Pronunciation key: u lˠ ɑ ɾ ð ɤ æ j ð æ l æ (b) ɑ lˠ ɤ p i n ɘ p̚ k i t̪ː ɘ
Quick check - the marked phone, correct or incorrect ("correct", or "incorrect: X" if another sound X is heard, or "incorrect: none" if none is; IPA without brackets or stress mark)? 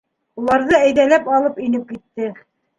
incorrect: p